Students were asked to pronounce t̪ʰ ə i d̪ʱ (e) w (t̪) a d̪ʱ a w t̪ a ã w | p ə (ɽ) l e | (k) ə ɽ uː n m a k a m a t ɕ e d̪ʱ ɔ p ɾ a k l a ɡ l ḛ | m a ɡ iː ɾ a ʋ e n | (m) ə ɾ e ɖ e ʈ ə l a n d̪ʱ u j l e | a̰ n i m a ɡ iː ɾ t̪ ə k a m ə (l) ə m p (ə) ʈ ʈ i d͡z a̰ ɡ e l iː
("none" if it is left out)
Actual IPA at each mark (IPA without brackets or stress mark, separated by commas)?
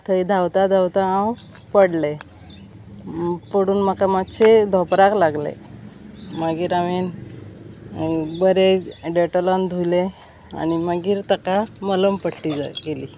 a, t̪, ɽ, p, b, l, ə